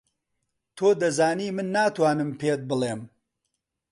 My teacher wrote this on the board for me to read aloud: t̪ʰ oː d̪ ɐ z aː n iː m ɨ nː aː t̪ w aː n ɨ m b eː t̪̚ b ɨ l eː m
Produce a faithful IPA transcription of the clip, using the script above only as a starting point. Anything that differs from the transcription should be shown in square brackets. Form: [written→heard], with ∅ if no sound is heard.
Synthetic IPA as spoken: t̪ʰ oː d̪ ɐ z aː n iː m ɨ nː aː t̪ w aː n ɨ m [b→p] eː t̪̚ b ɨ l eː m